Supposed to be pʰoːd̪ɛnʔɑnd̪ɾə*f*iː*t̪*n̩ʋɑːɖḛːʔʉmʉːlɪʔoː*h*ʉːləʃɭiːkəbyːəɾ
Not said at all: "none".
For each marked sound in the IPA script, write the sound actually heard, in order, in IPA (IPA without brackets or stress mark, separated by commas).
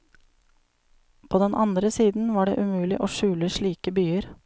s, d̪, ʃ